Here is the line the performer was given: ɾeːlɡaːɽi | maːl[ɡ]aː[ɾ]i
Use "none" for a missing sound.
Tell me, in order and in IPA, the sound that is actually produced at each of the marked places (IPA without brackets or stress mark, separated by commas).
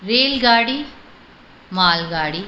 ɡ, ɽ